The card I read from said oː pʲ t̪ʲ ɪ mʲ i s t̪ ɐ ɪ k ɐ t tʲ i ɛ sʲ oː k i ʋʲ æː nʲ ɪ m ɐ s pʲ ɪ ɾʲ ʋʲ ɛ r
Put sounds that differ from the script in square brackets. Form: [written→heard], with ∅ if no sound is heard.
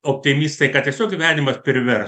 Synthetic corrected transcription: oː pʲ t̪ʲ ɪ mʲ i s t̪ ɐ ɪ k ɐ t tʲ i ɛ sʲ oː k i ʋʲ æː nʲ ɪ m ɐ s pʲ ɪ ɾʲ ʋʲ ɛ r